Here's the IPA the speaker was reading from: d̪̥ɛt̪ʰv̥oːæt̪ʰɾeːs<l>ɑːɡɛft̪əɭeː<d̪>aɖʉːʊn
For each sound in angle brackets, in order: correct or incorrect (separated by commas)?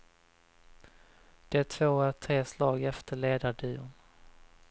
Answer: correct, correct